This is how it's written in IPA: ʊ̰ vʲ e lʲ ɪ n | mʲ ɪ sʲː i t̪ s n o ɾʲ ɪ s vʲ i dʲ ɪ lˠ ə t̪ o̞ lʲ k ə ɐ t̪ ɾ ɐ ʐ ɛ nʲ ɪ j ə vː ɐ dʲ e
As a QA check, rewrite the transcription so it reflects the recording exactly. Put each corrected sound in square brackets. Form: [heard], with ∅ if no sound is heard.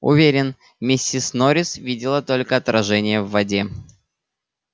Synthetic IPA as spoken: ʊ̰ vʲ e [ɾʲ] ɪ n | mʲ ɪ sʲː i [∅] s n o ɾʲ ɪ s vʲ i dʲ ɪ lˠ ə t̪ o̞ lʲ k ə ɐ t̪ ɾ ɐ ʐ ɛ nʲ ɪ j ə vː ɐ dʲ e